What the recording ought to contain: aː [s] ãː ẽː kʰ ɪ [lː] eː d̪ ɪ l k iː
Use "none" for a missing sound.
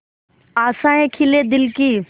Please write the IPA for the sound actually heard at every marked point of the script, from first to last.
s, l

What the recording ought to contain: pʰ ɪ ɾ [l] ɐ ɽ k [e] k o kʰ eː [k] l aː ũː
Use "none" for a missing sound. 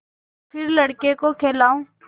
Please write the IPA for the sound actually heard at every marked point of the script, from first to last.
l, e, none

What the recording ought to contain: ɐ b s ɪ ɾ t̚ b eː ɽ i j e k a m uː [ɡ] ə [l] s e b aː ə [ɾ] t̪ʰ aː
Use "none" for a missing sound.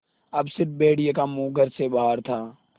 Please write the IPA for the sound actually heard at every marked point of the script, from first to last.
ɡ, ɾ, ɾ

